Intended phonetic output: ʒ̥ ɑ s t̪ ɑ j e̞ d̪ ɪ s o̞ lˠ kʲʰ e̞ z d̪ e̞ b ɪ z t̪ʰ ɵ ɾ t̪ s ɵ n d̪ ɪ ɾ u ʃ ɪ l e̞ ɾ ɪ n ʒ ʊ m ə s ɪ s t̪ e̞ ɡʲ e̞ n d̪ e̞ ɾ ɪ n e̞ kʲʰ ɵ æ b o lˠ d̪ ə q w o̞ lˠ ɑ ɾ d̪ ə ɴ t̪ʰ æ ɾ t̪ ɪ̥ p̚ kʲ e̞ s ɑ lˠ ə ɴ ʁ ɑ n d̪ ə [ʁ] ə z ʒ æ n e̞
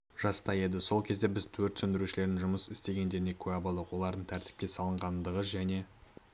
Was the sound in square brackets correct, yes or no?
yes